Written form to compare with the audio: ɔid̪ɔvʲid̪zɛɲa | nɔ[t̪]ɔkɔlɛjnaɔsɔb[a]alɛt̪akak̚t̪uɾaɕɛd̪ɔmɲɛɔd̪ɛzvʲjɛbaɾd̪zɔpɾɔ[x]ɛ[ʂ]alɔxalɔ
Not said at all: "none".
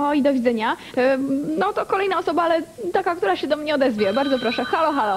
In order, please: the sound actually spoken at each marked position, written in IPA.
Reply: t̪, a, ʂ, x

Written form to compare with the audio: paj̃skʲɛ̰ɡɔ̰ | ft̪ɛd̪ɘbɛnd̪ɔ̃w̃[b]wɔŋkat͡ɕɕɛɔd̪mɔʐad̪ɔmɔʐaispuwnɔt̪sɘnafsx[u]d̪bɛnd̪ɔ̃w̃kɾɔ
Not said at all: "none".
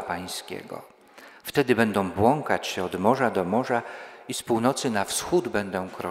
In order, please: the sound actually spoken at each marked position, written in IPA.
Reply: b, u

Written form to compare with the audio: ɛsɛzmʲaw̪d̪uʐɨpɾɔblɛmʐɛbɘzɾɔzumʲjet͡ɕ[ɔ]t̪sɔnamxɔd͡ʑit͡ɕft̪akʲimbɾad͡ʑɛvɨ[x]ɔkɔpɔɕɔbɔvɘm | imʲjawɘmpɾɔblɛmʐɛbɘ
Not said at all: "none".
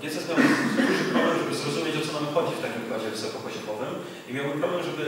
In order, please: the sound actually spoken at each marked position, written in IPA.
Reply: ɔ, s

